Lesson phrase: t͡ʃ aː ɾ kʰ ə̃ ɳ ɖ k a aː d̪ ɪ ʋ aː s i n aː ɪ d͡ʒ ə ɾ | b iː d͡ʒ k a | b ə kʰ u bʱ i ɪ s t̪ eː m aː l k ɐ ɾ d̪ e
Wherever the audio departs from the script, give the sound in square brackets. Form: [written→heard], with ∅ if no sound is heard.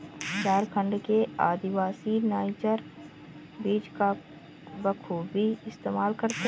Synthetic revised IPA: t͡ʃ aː ɾ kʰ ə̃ ɳ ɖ k [a→e] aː d̪ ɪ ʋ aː s i n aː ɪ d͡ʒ ə ɾ | b iː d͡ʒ k a | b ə kʰ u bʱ i ɪ s t̪ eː m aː l k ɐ ɾ [d̪→t̪] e